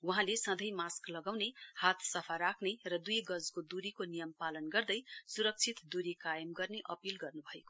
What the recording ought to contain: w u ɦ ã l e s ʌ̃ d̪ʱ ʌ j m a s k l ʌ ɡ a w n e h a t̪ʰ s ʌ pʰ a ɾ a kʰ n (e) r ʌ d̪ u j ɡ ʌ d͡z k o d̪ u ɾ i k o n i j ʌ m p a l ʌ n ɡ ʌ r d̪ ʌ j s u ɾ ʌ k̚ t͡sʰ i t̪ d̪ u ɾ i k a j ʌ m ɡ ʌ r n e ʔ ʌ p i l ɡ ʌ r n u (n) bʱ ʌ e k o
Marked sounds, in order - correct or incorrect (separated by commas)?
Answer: correct, incorrect